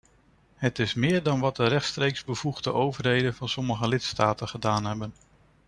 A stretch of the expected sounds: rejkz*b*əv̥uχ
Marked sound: correct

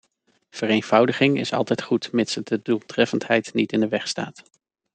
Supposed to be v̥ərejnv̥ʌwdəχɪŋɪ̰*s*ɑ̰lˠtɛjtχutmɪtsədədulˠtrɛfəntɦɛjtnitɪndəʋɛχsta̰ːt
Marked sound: correct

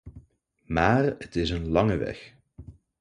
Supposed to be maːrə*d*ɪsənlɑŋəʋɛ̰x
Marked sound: incorrect: t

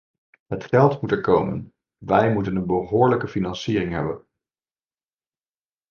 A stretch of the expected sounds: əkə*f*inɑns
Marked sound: correct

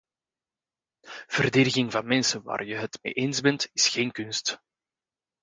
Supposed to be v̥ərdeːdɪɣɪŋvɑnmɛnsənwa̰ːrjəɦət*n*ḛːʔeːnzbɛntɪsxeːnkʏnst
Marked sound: incorrect: m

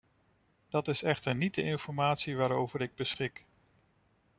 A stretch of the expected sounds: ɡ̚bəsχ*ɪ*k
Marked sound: correct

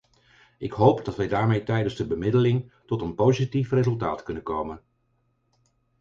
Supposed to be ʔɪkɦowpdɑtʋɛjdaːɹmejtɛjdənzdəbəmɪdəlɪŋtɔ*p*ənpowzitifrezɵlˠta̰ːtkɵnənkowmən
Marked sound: incorrect: t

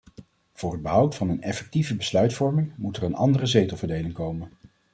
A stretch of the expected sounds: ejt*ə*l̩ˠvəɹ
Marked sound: correct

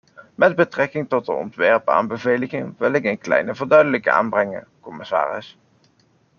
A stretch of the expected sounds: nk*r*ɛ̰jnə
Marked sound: incorrect: l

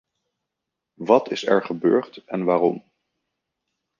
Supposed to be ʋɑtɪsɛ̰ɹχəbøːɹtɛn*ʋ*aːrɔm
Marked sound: correct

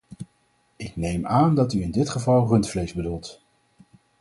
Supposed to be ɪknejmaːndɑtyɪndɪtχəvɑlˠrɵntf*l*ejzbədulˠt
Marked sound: correct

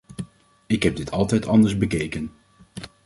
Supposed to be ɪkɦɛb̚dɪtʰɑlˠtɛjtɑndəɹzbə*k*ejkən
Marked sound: correct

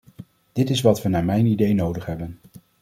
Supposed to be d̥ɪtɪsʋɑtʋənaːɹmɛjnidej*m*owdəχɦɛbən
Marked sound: incorrect: n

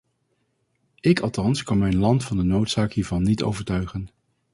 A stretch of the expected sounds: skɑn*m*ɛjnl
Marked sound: correct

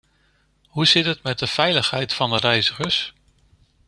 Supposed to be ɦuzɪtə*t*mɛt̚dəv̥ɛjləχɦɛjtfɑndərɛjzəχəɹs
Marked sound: correct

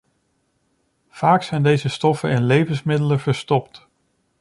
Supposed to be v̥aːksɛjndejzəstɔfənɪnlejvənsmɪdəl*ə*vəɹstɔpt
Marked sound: correct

